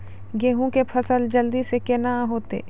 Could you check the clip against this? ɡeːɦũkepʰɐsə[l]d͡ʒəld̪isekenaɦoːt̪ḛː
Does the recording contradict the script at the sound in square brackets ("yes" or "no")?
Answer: no